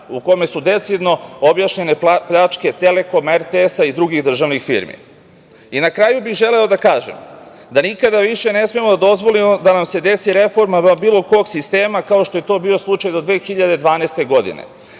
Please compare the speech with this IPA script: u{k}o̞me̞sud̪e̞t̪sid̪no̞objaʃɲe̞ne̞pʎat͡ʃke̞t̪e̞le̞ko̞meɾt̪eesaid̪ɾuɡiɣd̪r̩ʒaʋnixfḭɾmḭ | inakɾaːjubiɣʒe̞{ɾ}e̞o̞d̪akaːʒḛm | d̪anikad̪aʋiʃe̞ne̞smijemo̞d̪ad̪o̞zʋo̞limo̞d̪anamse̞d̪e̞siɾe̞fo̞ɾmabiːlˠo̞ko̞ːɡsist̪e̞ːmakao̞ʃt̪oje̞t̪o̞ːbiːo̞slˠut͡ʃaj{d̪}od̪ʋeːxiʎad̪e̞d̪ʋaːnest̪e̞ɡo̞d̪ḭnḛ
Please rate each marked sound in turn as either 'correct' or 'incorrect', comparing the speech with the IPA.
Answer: correct, incorrect, correct

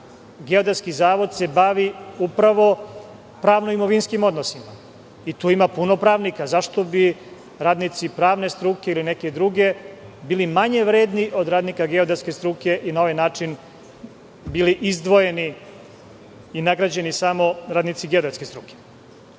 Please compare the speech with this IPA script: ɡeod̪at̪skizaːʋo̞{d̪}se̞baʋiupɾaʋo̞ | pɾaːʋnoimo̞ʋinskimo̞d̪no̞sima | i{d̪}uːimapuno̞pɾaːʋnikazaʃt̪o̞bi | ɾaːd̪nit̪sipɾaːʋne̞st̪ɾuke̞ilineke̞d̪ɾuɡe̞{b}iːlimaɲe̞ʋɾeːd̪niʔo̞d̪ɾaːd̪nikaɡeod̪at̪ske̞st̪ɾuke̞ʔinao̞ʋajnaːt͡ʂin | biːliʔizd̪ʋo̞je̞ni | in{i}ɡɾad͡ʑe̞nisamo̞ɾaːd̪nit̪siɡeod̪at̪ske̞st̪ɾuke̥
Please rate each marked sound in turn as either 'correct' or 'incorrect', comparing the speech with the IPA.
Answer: correct, incorrect, correct, incorrect

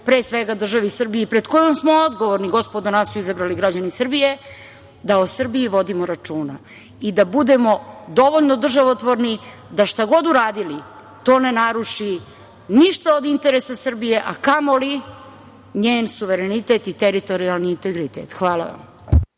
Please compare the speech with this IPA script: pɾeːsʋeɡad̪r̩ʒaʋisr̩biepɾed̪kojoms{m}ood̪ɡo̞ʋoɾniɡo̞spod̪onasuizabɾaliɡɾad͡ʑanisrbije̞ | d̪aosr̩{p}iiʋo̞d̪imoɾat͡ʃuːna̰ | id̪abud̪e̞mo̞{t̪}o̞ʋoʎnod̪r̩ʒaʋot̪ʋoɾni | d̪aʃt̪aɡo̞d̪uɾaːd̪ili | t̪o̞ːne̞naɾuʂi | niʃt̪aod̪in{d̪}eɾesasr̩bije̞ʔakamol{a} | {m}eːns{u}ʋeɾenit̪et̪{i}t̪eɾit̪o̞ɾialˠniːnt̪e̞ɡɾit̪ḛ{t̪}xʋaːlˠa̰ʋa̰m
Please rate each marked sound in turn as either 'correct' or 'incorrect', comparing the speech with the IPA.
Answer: correct, incorrect, incorrect, incorrect, incorrect, incorrect, correct, correct, correct

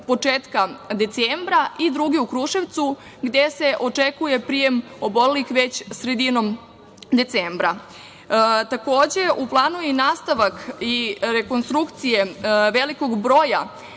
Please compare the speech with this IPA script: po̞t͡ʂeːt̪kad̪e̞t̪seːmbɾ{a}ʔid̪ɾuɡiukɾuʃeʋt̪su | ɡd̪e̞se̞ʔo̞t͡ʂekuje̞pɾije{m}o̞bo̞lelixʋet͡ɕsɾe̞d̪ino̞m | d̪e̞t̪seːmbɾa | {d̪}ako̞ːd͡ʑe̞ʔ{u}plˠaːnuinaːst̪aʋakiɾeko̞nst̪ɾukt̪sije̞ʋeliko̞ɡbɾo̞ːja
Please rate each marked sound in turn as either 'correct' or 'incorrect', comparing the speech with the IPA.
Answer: correct, correct, incorrect, correct

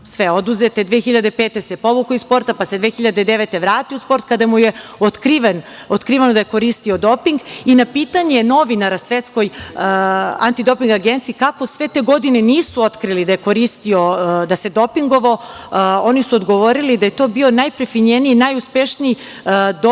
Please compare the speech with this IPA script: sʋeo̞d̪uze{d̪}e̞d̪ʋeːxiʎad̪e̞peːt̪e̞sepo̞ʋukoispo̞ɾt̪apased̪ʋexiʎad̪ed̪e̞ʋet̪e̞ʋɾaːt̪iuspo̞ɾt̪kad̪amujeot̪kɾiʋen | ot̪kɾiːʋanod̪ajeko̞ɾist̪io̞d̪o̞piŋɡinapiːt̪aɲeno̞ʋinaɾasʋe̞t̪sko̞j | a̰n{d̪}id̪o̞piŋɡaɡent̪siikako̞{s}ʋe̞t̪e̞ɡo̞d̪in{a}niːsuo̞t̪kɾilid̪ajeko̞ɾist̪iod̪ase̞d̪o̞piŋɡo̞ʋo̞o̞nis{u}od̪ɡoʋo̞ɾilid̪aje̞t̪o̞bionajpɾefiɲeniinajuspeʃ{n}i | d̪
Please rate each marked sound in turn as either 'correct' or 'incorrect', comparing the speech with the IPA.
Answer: incorrect, incorrect, correct, incorrect, correct, correct

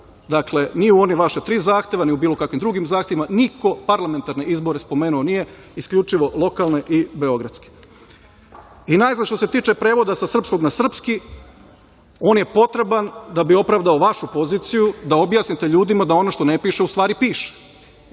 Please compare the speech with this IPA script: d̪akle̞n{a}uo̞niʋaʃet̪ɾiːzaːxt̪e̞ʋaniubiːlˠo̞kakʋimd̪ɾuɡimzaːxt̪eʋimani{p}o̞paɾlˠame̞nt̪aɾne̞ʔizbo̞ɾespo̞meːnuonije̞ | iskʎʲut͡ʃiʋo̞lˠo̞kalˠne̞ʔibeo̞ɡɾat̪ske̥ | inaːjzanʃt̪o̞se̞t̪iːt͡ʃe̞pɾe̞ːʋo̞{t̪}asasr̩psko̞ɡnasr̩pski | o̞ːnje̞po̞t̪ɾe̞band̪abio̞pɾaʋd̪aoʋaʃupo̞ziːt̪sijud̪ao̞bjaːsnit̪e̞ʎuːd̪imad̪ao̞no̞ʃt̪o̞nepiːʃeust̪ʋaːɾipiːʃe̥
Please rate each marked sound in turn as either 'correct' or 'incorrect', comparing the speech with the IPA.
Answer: incorrect, incorrect, incorrect

